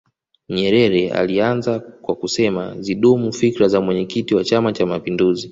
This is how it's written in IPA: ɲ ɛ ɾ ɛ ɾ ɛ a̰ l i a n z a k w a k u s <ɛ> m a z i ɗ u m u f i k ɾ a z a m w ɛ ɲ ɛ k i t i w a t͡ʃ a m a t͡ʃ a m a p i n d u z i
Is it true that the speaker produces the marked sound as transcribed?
yes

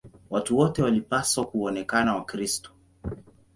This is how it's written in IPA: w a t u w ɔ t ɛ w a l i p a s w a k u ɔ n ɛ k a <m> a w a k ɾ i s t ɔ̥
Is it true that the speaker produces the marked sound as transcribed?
no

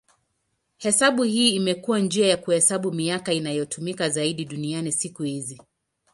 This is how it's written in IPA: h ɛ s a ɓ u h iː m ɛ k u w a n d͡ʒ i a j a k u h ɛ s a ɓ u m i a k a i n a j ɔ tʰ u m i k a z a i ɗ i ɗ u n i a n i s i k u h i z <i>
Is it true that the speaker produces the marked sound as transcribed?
yes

